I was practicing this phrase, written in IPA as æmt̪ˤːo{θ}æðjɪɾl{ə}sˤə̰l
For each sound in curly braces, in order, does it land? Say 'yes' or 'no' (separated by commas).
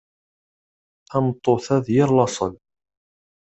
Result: yes, no